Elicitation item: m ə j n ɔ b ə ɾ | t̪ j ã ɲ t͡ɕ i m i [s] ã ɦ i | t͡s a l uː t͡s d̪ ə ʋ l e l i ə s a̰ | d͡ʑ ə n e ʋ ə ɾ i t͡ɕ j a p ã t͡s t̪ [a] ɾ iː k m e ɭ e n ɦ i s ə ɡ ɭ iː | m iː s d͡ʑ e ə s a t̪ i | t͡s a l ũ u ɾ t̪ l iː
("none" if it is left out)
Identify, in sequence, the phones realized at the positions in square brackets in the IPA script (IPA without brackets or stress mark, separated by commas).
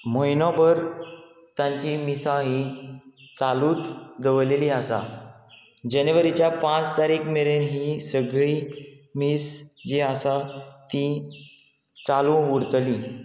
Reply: s, a